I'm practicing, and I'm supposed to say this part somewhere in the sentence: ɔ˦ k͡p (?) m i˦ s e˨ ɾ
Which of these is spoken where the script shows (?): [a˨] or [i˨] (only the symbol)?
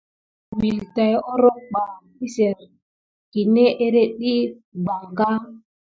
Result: a˨